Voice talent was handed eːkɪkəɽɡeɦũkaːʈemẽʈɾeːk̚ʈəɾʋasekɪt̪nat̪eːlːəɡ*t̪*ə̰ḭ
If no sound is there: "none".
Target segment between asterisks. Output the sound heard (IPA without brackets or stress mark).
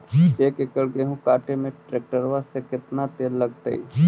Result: t̪